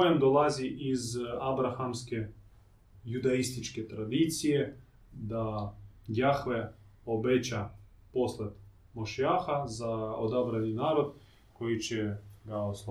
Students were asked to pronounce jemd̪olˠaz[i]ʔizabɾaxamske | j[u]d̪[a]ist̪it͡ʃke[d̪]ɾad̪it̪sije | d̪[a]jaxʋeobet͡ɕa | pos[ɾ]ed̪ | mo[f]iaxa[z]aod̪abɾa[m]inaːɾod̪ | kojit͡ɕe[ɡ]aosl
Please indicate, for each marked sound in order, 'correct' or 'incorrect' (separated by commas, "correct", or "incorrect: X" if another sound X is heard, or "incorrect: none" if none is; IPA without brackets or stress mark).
correct, correct, correct, incorrect: t̪, correct, incorrect: l, incorrect: ʃ, correct, incorrect: n, correct